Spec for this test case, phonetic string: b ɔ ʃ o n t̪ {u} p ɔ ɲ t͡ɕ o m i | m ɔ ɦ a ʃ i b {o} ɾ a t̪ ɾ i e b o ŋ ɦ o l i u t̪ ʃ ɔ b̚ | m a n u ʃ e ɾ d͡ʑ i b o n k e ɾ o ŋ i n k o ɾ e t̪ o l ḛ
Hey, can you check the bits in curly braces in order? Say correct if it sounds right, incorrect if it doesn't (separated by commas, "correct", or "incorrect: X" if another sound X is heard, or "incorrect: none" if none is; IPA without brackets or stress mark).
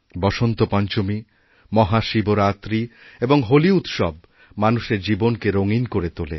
incorrect: o, correct